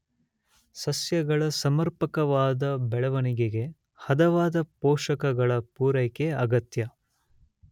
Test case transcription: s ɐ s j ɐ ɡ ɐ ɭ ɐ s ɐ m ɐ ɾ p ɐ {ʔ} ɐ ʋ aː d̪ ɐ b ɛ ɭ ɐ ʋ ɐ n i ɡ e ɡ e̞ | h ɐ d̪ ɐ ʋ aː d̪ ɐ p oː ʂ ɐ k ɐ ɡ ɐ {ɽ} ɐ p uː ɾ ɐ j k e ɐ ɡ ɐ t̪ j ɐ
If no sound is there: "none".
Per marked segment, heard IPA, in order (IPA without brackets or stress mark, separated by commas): k, ɭ